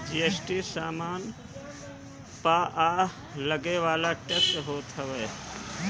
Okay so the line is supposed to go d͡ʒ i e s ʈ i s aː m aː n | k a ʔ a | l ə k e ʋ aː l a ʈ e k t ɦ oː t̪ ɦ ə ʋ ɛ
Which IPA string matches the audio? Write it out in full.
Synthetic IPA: d͡ʒ i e s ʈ i s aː m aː n | p a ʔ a | l ə ɡ e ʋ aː l a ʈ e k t ɦ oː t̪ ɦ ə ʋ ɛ